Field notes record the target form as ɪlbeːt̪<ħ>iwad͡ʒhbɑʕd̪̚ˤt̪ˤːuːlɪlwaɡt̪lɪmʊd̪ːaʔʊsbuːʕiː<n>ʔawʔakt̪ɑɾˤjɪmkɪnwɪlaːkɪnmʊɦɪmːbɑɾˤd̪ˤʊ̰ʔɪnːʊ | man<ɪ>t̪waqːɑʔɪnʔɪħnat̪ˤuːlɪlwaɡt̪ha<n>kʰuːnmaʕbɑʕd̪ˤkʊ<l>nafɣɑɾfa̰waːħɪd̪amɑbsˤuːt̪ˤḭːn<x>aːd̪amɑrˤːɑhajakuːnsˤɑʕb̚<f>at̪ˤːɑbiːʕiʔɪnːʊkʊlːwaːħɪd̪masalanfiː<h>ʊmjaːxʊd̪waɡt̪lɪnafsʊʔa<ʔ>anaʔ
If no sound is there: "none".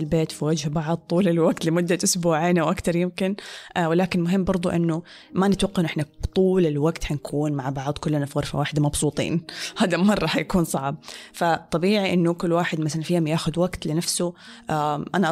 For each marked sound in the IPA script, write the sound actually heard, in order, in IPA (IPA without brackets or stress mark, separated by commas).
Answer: f, n, ɪ, n, lː, h, f, h, ʔ